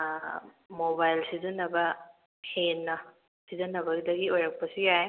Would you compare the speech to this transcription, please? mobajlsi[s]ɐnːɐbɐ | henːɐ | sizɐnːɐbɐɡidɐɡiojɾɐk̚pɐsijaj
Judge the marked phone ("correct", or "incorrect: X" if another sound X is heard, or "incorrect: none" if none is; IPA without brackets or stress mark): incorrect: z